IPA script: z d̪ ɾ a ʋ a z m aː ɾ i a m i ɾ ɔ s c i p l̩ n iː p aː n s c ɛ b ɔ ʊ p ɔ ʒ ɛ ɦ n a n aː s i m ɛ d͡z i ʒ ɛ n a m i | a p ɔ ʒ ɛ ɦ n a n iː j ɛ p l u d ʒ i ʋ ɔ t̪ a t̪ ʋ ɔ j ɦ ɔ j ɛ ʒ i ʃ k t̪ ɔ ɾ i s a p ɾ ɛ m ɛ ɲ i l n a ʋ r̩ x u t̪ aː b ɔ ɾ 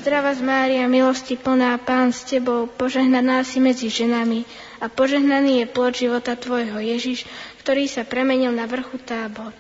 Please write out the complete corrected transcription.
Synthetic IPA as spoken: z d̪ ɾ a ʋ a z m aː ɾ i a m i l ɔ s c i p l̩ n aː p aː n s c ɛ b ɔ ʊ p ɔ ʒ ɛ ɦ n a n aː s i m ɛ d͡z i ʒ ɛ n a m i | a p ɔ ʒ ɛ ɦ n a n iː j ɛ p l ɔ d ʒ i ʋ ɔ t̪ a t̪ ʋ ɔ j ɦ ɔ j ɛ ʒ i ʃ k t̪ ɔ ɾ iː s a p ɾ ɛ m ɛ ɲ i l n a ʋ r̩ x u t̪ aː b ɔ ɾ